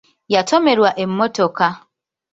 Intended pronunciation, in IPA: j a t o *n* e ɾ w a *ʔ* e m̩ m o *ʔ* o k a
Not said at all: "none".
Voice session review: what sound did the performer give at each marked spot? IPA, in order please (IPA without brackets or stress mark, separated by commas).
m, ʔ, t